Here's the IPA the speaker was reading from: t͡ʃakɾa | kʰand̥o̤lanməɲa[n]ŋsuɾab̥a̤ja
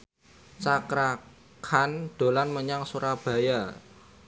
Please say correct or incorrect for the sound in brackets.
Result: incorrect